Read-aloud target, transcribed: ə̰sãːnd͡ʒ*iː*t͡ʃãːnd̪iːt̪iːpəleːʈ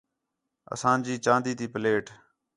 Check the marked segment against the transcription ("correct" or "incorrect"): correct